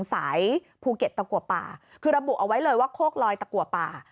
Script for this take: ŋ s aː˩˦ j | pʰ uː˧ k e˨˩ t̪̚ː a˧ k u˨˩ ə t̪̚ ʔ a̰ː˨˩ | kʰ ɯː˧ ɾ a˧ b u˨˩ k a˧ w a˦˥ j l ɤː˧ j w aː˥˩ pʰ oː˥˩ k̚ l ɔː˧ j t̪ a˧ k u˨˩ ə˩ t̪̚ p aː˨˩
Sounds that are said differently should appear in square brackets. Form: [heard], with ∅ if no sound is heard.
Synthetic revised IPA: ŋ s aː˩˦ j | pʰ uː˧ k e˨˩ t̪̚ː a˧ k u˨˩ ə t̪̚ [p] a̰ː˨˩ | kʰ ɯː˧ ɾ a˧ b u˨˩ [ʔ] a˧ w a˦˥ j l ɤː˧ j w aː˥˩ [kʰ] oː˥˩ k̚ l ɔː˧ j t̪ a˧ k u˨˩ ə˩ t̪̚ p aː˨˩

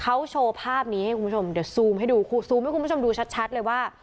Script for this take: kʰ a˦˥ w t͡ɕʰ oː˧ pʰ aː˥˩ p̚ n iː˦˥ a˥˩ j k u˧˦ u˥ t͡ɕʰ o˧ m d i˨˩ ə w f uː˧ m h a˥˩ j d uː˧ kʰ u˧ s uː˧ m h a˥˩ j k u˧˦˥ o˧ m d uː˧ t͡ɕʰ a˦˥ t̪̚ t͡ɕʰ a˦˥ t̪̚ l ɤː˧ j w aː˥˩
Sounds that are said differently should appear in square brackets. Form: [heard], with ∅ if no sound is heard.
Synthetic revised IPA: kʰ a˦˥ w t͡ɕʰ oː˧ pʰ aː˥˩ p̚ n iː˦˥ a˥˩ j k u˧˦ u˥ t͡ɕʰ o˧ m d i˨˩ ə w [s] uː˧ m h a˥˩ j d uː˧ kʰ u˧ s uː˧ m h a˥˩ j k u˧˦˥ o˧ m d uː˧ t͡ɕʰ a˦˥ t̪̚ t͡ɕʰ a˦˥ t̪̚ l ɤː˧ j w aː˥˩

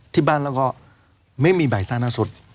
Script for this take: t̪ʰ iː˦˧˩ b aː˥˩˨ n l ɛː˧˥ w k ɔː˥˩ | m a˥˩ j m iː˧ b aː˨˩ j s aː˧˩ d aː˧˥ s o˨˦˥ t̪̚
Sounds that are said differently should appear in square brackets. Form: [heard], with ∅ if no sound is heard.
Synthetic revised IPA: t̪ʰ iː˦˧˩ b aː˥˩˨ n l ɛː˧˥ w k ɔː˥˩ | m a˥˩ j m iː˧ b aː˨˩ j s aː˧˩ [n] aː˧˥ s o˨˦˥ t̪̚

